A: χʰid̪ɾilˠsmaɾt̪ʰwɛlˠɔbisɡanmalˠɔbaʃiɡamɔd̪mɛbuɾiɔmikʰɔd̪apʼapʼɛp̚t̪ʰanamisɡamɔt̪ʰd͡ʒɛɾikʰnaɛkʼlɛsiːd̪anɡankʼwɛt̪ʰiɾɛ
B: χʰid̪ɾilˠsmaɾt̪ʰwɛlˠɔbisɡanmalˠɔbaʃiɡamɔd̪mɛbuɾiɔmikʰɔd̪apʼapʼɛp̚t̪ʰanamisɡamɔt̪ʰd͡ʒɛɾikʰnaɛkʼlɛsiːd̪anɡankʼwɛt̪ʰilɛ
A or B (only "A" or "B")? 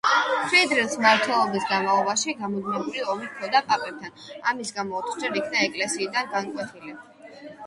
B